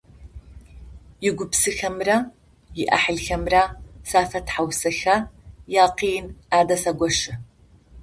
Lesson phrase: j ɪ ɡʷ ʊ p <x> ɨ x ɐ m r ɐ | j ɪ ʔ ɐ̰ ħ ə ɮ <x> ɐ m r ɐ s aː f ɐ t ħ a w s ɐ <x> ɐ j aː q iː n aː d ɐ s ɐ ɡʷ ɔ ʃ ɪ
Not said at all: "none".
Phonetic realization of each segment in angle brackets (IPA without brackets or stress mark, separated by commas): s, x, x